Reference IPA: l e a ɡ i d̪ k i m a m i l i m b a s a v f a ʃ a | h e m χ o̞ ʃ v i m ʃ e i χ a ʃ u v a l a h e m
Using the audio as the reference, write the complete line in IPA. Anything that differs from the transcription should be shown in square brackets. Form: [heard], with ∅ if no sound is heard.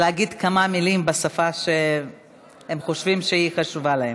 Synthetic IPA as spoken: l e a ɡ i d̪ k [a] m a m i l i m b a s a [∅] f a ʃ [e] | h e m χ o̞ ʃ v i m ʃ e i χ a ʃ u v a l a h e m